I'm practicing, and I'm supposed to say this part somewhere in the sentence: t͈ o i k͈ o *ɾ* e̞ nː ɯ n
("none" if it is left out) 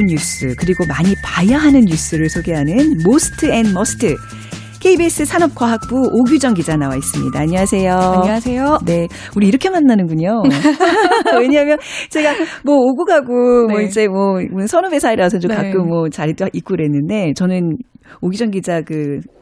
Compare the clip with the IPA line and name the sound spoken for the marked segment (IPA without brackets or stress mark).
ɾ